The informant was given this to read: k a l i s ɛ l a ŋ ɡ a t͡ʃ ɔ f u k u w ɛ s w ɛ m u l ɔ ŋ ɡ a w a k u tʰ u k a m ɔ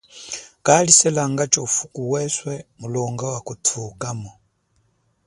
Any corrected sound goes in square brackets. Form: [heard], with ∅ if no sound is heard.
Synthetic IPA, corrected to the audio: k a l i s ɛ l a ŋ ɡ a t͡ʃ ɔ f u k u w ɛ s w ɛ m u l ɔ ŋ ɡ a w a k u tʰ u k a m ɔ